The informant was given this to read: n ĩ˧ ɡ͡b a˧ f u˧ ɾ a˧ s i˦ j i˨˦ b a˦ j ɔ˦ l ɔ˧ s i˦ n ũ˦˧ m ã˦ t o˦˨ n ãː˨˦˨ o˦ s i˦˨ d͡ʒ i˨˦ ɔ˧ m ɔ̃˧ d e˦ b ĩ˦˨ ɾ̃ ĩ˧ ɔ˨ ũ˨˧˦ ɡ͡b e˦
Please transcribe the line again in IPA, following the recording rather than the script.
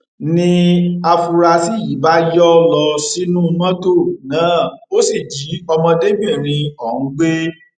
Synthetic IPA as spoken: n ĩ˧ a˧ f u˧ ɾ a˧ s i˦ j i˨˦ b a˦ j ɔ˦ l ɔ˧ s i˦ n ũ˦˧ m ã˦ t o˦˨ n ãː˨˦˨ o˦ s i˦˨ d͡ʒ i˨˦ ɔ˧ m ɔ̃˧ d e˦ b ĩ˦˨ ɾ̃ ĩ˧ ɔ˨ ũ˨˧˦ ɡ͡b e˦